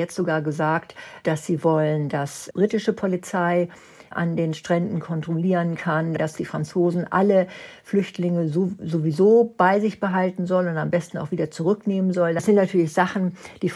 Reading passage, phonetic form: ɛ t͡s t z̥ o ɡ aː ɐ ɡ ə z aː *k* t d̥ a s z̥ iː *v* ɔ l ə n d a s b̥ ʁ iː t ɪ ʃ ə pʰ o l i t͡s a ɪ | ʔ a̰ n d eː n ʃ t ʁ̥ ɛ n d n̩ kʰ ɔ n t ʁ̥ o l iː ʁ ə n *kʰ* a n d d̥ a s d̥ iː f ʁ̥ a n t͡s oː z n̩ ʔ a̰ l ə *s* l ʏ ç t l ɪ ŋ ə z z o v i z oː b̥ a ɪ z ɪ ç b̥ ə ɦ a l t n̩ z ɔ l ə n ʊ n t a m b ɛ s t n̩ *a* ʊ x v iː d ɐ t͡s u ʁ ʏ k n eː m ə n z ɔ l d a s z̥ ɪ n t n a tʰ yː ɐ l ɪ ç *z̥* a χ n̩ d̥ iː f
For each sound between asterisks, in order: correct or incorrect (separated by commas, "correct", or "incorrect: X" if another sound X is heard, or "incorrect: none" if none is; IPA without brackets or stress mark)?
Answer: correct, correct, correct, incorrect: f, correct, correct